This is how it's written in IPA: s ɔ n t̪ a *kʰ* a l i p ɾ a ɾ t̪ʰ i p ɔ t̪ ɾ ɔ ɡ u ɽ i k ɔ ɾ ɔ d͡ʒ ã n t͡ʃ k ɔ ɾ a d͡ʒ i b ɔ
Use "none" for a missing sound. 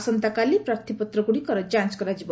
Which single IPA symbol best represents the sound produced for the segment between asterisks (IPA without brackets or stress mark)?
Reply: k